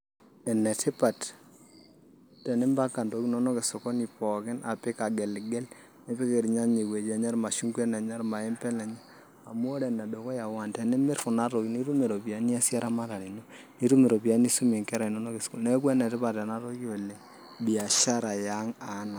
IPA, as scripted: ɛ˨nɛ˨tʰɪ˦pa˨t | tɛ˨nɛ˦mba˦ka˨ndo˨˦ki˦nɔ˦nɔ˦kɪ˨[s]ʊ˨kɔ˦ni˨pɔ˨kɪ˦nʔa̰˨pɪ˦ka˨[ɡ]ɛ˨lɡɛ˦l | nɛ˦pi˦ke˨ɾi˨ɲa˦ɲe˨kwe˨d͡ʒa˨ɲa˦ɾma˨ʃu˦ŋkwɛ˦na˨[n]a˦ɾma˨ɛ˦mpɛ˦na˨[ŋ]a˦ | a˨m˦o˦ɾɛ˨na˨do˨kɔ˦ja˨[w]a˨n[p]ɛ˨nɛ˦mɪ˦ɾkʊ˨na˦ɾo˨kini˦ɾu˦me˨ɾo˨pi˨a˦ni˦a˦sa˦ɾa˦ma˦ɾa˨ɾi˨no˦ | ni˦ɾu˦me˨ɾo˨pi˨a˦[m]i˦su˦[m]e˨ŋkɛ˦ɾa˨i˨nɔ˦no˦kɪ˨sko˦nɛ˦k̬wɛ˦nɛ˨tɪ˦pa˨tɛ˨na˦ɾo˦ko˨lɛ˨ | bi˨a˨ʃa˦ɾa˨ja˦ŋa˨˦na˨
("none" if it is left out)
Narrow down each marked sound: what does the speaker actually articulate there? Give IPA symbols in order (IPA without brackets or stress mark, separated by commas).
s, ɡ, ɲ, ɲ, w, t, n, m